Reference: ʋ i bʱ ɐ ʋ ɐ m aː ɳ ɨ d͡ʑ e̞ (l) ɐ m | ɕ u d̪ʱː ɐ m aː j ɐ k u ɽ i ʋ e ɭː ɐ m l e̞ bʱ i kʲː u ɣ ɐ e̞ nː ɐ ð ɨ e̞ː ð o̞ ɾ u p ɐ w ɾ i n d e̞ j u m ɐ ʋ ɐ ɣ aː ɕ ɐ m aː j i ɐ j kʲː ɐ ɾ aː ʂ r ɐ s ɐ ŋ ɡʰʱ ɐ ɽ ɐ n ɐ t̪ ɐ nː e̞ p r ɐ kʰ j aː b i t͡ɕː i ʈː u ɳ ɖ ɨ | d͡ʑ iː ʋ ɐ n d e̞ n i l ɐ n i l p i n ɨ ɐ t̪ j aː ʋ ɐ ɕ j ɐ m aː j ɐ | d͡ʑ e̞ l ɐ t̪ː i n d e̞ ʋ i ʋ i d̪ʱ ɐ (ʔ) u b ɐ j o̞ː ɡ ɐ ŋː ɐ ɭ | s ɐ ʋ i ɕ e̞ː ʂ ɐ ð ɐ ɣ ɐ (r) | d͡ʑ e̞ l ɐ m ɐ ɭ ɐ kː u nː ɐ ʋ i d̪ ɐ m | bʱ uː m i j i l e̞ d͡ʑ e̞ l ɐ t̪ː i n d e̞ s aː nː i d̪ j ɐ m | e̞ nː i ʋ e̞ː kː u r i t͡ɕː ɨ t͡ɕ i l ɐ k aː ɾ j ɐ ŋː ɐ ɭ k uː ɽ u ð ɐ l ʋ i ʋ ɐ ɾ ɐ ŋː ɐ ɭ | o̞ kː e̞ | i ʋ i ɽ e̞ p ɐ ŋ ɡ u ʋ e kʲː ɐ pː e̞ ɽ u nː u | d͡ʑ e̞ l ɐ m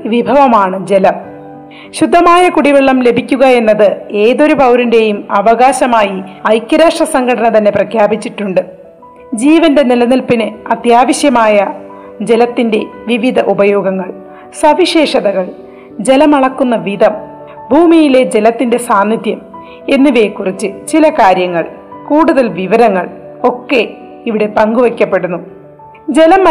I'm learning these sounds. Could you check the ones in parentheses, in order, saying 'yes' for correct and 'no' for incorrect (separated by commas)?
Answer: yes, yes, no